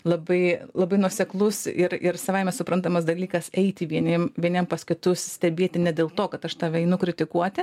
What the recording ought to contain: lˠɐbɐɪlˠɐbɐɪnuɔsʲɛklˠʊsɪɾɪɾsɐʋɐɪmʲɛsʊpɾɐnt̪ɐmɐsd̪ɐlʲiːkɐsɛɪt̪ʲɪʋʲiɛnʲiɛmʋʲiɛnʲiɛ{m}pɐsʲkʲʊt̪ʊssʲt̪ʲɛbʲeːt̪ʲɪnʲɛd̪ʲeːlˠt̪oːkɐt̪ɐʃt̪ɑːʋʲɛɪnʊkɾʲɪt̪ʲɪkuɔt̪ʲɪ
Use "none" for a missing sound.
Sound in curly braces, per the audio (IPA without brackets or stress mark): m